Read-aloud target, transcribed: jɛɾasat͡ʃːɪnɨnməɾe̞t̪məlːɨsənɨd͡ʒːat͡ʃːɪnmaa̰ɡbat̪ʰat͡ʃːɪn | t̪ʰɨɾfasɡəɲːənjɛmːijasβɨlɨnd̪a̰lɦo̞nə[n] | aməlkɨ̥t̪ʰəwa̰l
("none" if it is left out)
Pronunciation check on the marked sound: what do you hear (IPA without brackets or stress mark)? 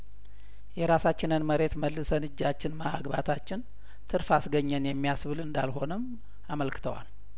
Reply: m